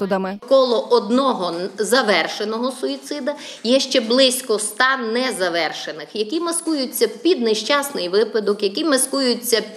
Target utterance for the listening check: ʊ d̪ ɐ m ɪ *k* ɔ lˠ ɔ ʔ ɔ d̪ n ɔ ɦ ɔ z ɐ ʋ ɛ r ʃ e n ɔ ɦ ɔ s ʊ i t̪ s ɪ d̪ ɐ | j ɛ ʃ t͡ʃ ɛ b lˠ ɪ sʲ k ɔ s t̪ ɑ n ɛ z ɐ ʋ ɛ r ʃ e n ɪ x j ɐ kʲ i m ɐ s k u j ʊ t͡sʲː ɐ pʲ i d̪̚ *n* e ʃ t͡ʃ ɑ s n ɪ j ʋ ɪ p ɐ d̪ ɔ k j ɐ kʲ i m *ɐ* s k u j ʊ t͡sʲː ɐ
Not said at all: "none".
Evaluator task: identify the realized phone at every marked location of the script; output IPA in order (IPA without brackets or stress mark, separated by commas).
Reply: k, n, ɐ